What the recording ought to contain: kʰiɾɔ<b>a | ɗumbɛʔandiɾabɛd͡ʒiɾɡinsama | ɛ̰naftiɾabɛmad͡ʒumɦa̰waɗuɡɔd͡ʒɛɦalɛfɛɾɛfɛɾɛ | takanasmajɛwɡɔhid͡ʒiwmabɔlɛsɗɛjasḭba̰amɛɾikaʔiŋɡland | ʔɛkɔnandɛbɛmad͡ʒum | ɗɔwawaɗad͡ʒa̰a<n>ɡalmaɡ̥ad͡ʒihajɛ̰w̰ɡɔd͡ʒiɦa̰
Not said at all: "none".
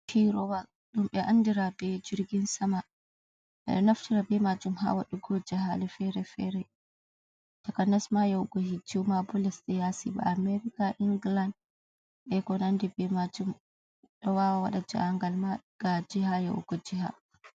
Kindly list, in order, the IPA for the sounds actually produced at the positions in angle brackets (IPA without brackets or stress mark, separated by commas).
w, ŋ